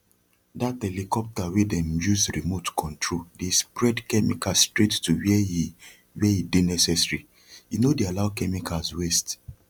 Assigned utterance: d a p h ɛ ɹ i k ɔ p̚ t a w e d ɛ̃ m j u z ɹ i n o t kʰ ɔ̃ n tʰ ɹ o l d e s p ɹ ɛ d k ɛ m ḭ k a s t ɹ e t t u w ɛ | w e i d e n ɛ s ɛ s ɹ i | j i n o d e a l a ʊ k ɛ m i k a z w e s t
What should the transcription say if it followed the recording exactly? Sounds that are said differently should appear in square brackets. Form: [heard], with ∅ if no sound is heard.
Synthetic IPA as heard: d a [t] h ɛ [l] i k ɔ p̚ t a w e d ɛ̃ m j u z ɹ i [m] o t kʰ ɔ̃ n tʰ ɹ o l d e s p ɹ ɛ d k ɛ m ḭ k a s t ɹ e t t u w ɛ | w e i d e n ɛ s ɛ s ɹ i | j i n o d e a l a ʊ k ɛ m i k a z w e s t